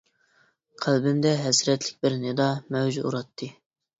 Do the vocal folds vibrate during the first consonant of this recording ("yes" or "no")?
no